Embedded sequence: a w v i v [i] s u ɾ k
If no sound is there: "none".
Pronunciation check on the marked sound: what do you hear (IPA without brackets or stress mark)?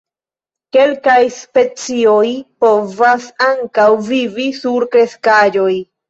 i